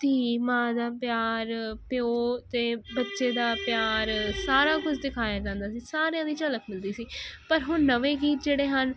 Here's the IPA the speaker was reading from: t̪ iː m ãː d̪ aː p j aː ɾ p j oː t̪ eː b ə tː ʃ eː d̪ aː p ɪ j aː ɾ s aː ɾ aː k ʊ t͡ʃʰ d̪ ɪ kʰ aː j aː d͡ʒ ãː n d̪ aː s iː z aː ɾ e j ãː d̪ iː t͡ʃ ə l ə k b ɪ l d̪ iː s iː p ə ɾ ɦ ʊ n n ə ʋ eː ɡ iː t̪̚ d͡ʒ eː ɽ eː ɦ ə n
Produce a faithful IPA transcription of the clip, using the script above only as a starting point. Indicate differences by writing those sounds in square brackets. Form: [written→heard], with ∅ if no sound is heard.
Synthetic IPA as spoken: t̪ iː m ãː d̪ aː p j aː ɾ p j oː t̪ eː b ə tː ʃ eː d̪ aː p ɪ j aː ɾ s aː ɾ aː k ʊ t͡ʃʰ d̪ ɪ kʰ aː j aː d͡ʒ ãː n d̪ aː s iː [z→s] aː ɾ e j ãː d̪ iː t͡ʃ ə l ə k [b→m] ɪ l d̪ iː s iː p ə ɾ ɦ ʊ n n ə ʋ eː ɡ iː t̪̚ d͡ʒ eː ɽ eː ɦ ə n

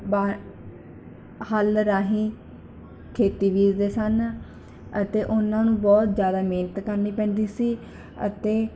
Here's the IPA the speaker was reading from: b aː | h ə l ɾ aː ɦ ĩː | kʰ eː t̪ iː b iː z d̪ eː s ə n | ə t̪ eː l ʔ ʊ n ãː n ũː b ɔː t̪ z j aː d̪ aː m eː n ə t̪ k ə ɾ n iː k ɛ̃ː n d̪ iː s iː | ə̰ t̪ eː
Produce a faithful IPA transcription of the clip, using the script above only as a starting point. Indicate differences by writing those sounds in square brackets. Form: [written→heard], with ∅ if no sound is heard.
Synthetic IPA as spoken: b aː | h ə l ɾ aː ɦ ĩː | kʰ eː t̪ iː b iː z d̪ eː s ə n | ə t̪ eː [l→∅] ʔ ʊ n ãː n ũː b ɔː t̪ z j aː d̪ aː m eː n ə t̪ k ə ɾ n iː [k→p] ɛ̃ː n d̪ iː s iː | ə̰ t̪ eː

